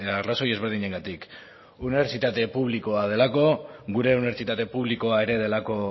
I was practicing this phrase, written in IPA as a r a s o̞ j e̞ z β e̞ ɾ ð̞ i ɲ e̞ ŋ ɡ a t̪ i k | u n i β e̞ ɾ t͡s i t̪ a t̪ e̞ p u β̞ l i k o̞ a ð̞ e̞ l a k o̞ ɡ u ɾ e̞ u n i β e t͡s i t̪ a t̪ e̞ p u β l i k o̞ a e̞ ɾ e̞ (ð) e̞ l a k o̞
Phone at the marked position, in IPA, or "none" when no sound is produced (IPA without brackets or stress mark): ð